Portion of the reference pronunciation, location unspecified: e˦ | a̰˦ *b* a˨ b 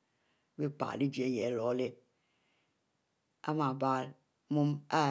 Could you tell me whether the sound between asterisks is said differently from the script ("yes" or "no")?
yes